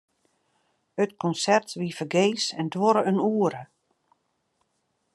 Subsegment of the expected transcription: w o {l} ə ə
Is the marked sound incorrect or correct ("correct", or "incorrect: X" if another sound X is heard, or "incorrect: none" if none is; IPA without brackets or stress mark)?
incorrect: ɾ